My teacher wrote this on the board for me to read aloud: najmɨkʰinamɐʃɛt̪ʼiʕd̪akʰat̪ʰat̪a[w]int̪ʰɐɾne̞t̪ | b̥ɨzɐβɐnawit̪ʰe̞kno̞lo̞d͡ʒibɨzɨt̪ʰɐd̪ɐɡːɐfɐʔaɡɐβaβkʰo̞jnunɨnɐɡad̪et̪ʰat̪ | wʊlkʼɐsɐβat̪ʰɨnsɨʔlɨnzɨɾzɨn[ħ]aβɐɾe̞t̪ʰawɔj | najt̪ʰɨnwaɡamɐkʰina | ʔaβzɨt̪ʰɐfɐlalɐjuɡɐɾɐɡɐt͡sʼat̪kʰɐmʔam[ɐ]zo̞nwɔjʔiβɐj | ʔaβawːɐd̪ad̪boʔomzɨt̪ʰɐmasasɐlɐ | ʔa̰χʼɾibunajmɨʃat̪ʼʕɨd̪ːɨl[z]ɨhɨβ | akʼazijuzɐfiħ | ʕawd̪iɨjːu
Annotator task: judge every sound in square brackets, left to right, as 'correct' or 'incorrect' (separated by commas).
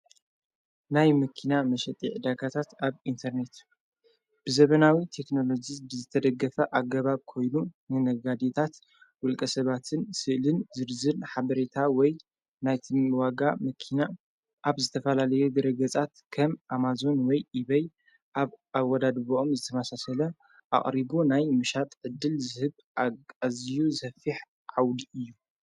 incorrect, correct, incorrect, correct